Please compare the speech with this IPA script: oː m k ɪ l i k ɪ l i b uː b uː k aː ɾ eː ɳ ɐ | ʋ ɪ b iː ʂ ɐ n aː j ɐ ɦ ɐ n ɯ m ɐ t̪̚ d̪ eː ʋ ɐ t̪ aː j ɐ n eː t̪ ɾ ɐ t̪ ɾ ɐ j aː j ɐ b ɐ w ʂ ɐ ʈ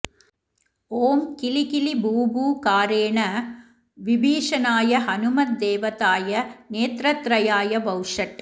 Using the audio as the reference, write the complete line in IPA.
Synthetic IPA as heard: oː m k ɪ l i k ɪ l i b uː b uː k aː ɾ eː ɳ ɐ | ʋ ɪ b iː ʂ ɐ n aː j ɐ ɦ ɐ n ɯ m ɐ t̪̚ d̪ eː ʋ ɐ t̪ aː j ɐ n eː t̪ ɾ ɐ t̪ ɾ ɐ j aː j ɐ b ɐ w ʂ ɐ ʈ